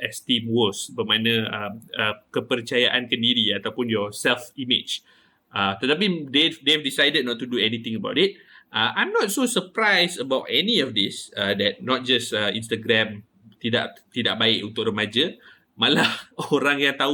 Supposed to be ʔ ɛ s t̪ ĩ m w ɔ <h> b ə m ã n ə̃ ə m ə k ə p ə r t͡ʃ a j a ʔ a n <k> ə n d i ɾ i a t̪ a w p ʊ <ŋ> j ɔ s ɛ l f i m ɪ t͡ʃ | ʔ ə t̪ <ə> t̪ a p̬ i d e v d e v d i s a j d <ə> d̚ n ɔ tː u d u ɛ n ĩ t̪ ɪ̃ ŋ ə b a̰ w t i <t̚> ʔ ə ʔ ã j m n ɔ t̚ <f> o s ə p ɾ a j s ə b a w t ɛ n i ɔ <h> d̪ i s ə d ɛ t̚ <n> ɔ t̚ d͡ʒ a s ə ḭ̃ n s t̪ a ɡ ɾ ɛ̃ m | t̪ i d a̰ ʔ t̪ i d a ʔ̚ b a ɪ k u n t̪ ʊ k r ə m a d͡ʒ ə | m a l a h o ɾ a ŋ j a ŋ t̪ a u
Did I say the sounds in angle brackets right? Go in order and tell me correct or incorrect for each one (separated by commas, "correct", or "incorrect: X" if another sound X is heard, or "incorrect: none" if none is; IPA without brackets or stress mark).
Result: incorrect: s, correct, incorrect: n, correct, correct, correct, incorrect: s, incorrect: f, correct